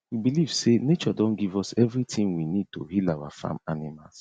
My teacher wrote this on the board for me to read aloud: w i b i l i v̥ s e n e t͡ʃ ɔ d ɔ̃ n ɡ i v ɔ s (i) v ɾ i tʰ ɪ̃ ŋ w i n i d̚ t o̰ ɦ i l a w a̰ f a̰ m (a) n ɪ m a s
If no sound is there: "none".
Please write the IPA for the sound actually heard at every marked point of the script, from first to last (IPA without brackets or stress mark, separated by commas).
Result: ɛ, a